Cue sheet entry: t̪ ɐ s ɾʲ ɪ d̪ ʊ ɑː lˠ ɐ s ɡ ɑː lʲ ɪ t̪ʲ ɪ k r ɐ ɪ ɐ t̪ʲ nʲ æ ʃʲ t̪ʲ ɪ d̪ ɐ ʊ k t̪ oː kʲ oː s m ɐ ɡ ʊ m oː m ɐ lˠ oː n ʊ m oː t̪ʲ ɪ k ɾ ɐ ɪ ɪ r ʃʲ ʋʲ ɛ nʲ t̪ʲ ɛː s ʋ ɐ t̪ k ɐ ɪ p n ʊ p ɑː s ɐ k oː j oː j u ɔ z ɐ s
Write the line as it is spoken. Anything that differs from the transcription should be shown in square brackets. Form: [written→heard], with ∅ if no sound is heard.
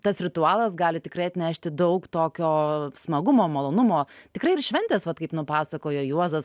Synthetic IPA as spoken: t̪ ɐ s ɾʲ ɪ [d̪→t̪] ʊ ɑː lˠ ɐ s ɡ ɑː lʲ ɪ t̪ʲ ɪ k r ɐ ɪ ɐ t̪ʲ nʲ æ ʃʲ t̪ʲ ɪ d̪ ɐ ʊ k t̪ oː kʲ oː s m ɐ ɡ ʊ m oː m ɐ lˠ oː n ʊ m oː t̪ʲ ɪ k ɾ ɐ ɪ ɪ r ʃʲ ʋʲ ɛ nʲ t̪ʲ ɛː s ʋ ɐ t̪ k ɐ ɪ p n ʊ p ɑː s ɐ k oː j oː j u ɔ z ɐ s